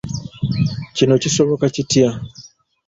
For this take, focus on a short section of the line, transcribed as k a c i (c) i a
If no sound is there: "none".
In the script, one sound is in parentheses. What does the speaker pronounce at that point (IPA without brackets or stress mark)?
t